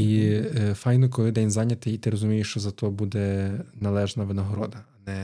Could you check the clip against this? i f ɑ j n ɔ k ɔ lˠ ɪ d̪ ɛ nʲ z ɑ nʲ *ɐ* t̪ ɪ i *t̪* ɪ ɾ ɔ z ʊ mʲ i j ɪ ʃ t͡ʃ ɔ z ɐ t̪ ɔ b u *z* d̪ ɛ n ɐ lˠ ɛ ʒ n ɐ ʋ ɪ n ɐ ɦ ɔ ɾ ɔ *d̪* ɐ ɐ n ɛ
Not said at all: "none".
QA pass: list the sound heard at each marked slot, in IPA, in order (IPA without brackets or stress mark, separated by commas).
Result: ɐ, t̪, none, d̪